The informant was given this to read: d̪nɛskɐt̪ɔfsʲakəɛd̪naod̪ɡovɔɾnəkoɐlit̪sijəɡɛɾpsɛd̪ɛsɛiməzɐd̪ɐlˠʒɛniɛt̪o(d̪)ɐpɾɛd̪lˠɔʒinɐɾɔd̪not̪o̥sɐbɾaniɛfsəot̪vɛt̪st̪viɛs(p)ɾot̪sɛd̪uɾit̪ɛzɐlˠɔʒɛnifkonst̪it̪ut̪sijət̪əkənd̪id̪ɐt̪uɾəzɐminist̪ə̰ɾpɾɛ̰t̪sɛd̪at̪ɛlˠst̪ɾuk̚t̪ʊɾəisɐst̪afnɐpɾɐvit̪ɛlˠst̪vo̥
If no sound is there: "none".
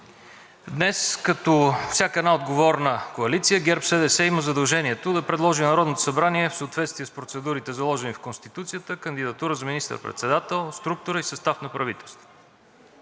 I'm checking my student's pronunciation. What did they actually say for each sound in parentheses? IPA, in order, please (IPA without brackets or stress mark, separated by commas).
d̪, p